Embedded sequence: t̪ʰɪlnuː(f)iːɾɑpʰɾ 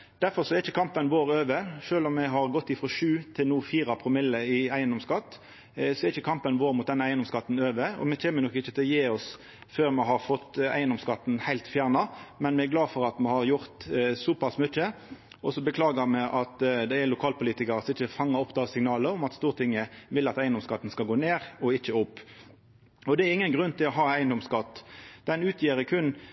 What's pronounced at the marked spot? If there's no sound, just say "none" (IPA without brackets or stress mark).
f